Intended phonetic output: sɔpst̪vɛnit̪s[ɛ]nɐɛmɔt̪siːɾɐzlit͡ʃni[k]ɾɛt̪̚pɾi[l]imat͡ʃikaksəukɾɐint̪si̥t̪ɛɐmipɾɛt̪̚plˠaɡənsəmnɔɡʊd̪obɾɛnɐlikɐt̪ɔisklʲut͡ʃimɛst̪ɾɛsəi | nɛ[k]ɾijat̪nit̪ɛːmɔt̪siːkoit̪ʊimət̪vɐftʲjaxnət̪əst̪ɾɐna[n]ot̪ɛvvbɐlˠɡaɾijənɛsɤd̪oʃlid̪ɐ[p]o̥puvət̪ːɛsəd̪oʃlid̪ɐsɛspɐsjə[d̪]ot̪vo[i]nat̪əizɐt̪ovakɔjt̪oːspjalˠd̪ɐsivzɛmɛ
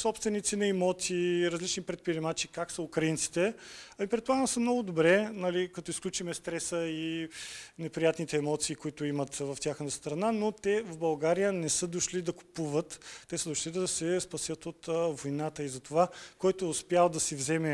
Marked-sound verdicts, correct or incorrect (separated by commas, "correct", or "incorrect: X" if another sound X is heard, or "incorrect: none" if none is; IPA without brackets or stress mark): incorrect: i, incorrect: p, incorrect: ɾ, incorrect: p, correct, incorrect: k, incorrect: t̪, incorrect: j